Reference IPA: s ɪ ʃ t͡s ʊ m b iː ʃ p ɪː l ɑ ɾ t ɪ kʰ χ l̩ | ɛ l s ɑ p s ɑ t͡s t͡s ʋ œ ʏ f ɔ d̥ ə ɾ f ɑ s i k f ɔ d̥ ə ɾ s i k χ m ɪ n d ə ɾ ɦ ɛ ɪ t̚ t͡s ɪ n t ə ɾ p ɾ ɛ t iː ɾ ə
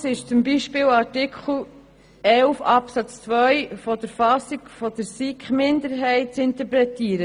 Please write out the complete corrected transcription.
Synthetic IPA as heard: s ɪ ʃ t͡s ʊ m b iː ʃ p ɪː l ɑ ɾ t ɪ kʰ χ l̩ | ɛ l f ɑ p s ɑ t͡s t͡s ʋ œ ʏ f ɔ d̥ ə ɾ f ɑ s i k f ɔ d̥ ə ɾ s i k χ m ɪ n d ə ɾ ɦ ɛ ɪ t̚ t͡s ɪ n t ə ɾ p ɾ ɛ t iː ɾ ə